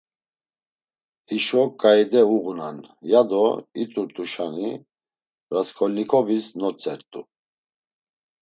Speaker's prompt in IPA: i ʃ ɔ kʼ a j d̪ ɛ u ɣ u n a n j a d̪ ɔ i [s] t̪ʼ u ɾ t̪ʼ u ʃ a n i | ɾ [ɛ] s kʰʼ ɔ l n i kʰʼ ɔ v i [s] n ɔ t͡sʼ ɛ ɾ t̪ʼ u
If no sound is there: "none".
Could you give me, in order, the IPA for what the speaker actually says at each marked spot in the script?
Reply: none, a, s

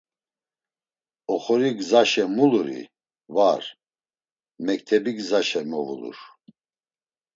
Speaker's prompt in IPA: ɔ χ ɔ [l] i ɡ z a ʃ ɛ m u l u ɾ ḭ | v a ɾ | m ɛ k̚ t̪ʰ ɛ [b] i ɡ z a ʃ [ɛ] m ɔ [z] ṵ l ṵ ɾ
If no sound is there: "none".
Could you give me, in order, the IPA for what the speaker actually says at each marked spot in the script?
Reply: ɾ, b, ɛ, v

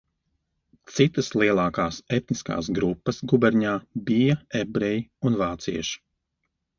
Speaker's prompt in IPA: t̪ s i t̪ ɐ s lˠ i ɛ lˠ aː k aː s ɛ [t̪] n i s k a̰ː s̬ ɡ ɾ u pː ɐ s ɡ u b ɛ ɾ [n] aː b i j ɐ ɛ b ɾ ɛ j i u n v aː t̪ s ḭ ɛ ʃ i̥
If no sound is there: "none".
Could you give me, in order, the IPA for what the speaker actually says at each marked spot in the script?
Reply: t̪, ɲ

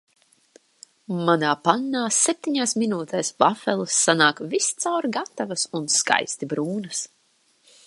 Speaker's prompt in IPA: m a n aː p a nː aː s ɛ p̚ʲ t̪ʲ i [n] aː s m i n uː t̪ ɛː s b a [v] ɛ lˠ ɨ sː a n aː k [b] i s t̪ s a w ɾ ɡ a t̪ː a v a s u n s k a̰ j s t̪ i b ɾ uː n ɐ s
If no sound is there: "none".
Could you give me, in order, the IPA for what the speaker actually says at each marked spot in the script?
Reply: ɲ, f, v

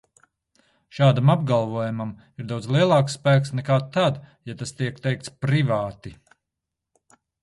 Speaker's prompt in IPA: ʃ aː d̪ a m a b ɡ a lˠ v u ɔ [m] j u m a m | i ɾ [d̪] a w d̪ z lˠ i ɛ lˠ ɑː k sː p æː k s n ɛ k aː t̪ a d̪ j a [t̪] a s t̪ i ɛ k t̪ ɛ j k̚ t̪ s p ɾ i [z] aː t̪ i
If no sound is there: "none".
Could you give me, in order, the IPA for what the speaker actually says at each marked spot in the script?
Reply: none, d̪, t̪, v

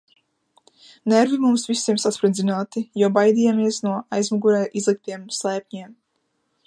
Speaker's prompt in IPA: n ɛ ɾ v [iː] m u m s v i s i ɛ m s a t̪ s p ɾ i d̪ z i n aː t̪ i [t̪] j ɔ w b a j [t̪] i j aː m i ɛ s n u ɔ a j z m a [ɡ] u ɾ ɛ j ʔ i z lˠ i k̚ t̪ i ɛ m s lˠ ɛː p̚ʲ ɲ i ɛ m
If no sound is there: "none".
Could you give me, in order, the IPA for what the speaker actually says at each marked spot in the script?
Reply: i, none, d̪, ɡ

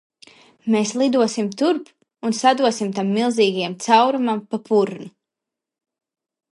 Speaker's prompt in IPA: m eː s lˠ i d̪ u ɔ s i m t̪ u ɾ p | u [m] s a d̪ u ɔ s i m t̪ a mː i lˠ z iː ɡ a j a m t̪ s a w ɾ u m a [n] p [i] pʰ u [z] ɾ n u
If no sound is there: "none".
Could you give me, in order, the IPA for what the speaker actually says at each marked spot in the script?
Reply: n, m, a, none

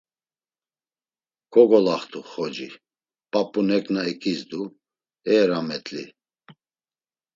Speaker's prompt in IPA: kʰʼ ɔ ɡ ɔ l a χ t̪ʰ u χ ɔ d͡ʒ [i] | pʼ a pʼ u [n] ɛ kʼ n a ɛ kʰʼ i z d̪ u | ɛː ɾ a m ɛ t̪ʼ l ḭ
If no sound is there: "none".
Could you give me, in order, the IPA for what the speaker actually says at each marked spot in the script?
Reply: i, n

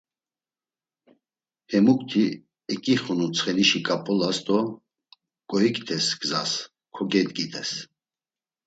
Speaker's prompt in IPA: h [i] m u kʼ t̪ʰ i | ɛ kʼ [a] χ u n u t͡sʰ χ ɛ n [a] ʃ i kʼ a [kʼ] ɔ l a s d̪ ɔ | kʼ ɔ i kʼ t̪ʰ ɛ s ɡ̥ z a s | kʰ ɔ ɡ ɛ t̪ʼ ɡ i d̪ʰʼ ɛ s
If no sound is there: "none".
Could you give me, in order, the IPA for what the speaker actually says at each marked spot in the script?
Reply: ɛ, i, i, pʼ

